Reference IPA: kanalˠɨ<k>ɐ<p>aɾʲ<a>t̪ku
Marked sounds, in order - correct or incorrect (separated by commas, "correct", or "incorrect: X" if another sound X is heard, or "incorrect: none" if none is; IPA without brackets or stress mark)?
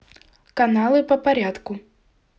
incorrect: p, correct, correct